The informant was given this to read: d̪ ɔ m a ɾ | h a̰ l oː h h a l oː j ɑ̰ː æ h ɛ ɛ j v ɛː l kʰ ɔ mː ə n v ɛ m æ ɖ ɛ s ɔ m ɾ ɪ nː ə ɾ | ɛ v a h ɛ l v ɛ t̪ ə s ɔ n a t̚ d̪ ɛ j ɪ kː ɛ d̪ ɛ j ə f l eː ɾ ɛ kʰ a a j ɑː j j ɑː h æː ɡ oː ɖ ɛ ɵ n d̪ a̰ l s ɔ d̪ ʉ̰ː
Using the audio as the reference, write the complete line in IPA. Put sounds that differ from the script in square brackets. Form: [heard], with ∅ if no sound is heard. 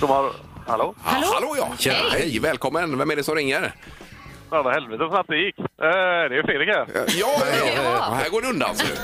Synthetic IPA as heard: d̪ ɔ m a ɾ | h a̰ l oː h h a l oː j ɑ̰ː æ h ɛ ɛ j v ɛː l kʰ ɔ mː ə n v ɛ m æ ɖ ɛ s ɔ m ɾ ɪ [ŋː] ə ɾ | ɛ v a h ɛ l v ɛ t̪ ə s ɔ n a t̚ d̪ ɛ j ɪ kː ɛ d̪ ɛ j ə f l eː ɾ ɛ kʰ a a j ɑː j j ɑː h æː ɡ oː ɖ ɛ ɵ n d̪ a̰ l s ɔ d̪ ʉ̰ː